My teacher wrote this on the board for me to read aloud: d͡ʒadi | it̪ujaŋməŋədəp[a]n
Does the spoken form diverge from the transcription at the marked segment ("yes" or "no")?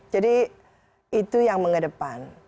no